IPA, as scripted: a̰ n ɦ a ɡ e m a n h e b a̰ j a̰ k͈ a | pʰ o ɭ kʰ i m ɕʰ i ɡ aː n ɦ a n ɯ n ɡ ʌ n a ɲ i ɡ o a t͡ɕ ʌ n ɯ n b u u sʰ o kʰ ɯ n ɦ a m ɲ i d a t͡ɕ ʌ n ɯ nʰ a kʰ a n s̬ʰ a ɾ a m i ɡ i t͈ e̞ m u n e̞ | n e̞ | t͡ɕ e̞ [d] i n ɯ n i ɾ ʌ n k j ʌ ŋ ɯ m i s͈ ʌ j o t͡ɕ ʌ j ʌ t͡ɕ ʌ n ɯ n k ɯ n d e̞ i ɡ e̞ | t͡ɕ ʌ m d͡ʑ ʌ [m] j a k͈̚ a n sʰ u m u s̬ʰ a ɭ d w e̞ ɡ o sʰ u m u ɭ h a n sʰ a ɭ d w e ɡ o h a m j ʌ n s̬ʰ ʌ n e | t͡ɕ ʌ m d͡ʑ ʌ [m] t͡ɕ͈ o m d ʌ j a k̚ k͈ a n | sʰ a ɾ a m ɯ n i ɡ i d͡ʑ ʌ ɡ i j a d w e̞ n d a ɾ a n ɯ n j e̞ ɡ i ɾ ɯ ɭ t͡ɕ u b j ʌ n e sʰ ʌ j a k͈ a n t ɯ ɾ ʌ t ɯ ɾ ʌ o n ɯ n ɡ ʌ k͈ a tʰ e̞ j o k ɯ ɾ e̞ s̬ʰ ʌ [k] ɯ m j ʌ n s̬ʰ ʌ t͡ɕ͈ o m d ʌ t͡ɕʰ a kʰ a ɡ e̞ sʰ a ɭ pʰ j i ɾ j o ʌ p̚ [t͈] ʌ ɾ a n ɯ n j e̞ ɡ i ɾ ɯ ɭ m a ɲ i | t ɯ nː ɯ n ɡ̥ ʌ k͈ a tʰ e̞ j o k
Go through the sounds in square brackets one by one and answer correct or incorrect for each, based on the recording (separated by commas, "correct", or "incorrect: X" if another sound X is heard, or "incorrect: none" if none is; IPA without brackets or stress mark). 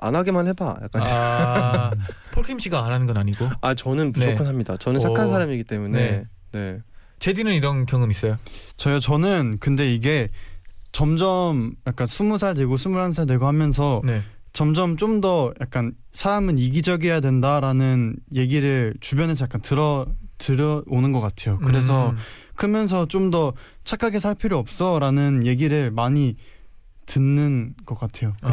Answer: correct, correct, correct, incorrect: kʰ, incorrect: s͈